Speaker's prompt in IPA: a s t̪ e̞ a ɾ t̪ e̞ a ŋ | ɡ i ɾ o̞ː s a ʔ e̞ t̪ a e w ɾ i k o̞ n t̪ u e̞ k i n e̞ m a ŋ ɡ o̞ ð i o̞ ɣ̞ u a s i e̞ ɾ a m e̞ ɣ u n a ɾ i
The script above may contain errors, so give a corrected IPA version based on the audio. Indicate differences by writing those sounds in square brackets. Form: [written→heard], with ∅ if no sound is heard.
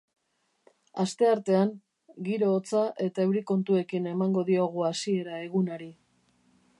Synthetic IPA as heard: a s t̪ e̞ a ɾ t̪ e̞ a ŋ | ɡ i ɾ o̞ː [s→t͡s] a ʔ e̞ t̪ a e w ɾ i k o̞ n t̪ u e̞ k i n e̞ m a ŋ ɡ o̞ ð i o̞ ɣ̞ u a s i e̞ ɾ a [m→∅] e̞ ɣ u n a ɾ i